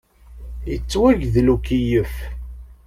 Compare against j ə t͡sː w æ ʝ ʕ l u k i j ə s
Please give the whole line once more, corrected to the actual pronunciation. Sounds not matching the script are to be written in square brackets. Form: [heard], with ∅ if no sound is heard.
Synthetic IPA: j ə t͡sː w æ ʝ [ð] l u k i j ə [f]